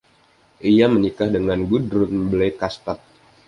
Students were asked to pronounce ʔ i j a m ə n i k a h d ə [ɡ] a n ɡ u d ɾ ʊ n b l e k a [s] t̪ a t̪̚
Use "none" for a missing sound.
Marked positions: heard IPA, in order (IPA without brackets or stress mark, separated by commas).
ŋ, s